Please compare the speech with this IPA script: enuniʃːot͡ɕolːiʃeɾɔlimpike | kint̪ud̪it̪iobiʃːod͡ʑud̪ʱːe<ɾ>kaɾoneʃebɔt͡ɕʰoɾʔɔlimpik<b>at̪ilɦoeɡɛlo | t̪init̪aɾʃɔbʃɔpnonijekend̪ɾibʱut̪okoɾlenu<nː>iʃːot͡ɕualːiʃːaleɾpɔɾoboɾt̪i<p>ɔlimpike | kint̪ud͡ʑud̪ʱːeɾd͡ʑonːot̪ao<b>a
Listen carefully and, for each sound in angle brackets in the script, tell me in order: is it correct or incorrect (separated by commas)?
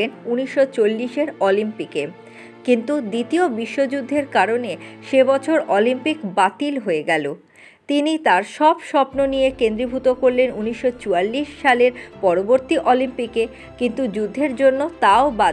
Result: correct, correct, incorrect, incorrect, correct